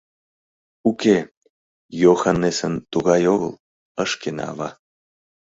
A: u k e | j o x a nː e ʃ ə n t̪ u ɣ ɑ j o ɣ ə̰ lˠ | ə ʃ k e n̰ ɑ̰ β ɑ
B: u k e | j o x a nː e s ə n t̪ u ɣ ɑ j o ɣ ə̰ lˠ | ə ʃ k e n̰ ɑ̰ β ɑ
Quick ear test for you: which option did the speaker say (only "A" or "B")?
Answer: B